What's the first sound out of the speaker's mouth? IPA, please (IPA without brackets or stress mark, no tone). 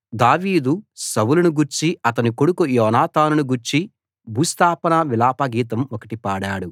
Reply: d̪